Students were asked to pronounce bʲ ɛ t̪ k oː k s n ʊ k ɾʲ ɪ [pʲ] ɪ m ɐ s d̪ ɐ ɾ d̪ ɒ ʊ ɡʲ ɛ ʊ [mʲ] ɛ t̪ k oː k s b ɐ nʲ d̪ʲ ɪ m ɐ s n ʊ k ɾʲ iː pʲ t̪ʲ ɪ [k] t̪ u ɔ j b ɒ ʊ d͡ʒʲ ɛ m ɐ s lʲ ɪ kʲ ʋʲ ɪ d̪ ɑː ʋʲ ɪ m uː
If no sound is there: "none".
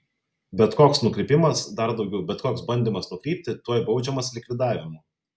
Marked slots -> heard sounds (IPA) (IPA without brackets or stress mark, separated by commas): pʲ, bʲ, none